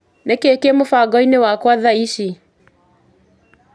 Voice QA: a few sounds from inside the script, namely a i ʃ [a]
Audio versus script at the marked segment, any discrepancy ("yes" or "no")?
yes